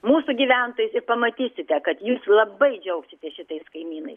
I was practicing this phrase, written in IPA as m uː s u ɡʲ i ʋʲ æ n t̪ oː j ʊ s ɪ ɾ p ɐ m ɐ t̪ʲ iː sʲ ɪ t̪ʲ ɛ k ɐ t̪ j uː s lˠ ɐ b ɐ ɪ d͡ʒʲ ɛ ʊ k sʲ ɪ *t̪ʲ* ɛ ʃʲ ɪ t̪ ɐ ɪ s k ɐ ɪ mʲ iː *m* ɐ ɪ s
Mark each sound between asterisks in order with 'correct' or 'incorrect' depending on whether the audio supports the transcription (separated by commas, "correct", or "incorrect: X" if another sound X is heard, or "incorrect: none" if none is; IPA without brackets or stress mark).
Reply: correct, incorrect: n